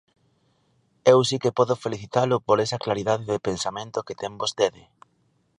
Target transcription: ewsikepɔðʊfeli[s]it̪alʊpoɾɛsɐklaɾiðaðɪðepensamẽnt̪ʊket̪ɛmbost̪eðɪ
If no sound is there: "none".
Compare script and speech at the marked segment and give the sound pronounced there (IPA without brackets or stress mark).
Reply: θ